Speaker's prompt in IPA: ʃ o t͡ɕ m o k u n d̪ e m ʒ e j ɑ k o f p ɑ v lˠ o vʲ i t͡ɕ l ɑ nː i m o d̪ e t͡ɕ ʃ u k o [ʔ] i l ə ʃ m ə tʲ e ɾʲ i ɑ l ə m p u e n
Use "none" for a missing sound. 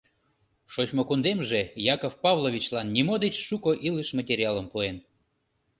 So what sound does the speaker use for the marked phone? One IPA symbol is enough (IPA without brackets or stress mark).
ʔ